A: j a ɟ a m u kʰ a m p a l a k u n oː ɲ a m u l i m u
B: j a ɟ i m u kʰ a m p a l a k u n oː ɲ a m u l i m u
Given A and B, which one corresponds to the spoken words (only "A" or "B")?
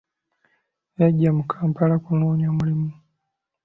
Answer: A